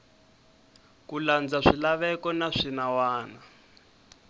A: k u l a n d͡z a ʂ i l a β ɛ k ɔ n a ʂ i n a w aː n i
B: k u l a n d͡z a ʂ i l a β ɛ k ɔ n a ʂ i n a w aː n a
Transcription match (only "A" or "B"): B